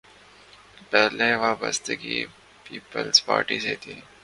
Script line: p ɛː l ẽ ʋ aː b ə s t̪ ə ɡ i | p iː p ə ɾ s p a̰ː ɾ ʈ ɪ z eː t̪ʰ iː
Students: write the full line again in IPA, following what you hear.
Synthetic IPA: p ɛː l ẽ ʋ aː b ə s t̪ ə ɡ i | p iː p ə l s p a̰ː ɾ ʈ i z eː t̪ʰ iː